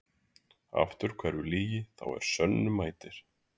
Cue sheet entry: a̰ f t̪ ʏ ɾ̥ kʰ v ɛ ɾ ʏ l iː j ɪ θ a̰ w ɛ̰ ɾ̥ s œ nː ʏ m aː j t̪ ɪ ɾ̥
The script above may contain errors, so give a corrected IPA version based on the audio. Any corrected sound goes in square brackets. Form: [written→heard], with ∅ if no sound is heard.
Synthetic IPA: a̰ f t̪ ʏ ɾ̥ kʰ v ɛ ɾ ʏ l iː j ɪ θ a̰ w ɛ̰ ɾ̥ s œ nː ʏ m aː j t̪ ɪ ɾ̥

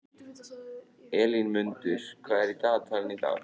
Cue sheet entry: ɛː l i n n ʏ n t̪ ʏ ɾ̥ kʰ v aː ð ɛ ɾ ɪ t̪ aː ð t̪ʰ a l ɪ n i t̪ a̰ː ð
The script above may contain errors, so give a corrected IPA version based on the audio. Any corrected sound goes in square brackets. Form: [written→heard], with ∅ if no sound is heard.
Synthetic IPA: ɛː l i n [n→m] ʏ n t̪ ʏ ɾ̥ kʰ v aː ð ɛ ɾ [ɪ→i] t̪ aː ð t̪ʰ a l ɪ n i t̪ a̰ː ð

